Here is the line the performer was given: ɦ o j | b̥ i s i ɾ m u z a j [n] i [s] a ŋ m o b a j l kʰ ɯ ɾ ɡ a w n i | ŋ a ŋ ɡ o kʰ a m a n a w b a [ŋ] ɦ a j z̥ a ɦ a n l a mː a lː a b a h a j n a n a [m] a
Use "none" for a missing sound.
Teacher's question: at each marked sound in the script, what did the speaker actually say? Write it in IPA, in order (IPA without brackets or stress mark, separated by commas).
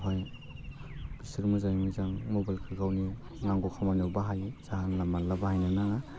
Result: m, z, none, ŋ